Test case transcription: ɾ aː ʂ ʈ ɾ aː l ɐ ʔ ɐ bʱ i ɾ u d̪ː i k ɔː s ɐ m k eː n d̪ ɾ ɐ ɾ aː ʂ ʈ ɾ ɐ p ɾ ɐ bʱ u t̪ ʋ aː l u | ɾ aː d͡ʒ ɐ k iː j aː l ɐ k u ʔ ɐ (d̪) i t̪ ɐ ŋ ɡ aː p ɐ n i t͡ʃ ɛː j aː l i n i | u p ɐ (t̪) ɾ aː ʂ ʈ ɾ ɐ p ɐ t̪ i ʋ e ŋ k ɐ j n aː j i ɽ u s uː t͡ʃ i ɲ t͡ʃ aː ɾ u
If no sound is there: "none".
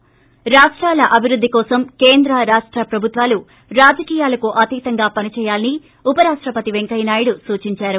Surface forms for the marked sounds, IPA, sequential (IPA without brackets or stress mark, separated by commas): t̪, none